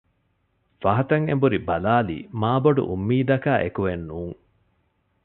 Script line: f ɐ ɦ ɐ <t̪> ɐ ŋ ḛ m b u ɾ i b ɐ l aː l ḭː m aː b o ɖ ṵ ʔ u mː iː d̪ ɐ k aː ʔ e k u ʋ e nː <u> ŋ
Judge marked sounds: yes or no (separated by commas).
yes, no